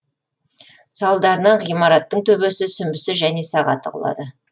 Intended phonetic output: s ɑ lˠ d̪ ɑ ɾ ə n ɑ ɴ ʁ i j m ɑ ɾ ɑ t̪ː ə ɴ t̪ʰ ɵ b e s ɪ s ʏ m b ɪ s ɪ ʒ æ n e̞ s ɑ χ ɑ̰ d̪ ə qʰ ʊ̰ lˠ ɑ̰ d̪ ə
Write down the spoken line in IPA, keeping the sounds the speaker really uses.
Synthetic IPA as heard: s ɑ lˠ d̪ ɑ ɾ ə n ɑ ɴ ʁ i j m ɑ ɾ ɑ t̪ː ə ɴ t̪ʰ ɵ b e s ɪ s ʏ m b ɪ s ɪ ʒ æ n e̞ s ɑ ʁ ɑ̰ t̪ ə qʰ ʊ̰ lˠ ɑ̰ d̪ ə